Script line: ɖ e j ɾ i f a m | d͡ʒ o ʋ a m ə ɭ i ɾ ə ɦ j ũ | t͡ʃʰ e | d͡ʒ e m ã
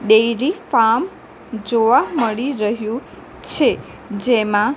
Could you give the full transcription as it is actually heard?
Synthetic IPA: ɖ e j ɾ i f a m | d͡ʒ o ʋ a m ə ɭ i ɾ ə ɦ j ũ | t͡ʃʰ e | d͡ʒ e m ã